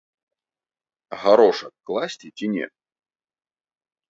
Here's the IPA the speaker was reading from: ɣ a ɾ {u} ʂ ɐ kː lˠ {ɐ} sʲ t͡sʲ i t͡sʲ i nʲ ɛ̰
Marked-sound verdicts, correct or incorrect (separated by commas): incorrect, incorrect